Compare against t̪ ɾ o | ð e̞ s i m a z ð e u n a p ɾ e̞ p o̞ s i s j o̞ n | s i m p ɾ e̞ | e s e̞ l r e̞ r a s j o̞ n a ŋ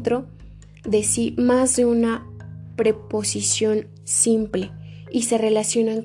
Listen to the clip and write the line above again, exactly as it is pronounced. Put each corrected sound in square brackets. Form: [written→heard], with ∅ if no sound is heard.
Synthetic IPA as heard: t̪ ɾ o | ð e̞ s i m a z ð e u n a p ɾ e̞ p o̞ s i s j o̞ n | s i m p [ɾ→l] e̞ | [e→i] s e̞ [l→∅] r e̞ [r→l] a s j o̞ n a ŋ